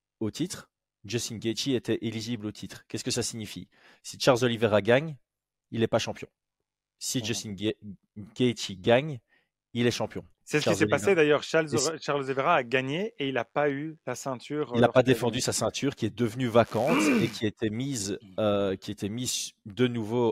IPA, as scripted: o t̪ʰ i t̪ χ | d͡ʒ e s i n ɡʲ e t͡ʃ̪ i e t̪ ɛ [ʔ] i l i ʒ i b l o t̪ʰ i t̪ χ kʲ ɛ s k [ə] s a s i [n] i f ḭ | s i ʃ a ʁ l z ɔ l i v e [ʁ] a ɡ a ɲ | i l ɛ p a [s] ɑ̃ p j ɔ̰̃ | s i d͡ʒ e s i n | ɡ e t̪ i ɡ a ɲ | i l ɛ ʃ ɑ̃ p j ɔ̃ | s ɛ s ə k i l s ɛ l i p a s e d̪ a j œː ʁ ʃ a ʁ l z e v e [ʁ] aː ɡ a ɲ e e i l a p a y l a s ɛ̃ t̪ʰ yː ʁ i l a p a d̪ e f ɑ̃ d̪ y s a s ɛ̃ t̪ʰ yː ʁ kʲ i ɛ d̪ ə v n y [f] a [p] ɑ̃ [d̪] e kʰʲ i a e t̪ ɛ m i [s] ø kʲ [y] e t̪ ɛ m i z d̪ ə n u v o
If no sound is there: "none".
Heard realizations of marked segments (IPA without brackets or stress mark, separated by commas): ʔ, ə, ɲ, ʁ, ʃ, ʁ, v, k, t̪, z, i